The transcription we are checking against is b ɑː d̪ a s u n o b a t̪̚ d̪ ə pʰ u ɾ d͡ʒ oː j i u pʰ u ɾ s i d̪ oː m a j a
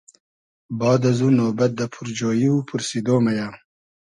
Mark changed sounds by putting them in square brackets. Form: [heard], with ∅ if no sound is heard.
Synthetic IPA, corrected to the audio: b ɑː d̪ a [z] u n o b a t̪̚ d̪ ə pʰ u ɾ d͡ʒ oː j i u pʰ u ɾ s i d̪ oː m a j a